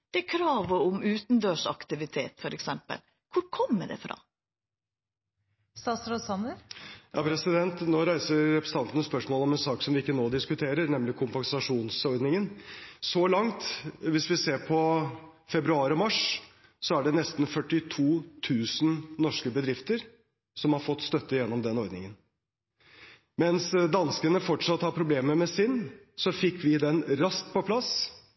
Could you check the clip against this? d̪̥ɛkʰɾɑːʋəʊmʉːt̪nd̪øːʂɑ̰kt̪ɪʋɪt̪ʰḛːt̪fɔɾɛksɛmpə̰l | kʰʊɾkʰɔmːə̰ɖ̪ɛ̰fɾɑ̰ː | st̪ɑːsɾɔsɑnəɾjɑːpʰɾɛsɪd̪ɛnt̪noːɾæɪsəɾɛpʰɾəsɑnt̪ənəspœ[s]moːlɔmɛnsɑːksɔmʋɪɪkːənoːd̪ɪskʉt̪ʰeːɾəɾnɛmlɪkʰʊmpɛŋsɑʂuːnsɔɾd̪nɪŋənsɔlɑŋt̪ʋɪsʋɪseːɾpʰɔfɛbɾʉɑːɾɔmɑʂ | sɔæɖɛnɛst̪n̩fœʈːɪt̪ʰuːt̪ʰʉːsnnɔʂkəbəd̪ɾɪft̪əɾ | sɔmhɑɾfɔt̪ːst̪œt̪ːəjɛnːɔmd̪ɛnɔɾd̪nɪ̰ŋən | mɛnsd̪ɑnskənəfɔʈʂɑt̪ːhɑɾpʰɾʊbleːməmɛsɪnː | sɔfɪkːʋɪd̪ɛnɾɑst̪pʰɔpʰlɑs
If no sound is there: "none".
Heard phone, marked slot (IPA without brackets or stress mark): ʂ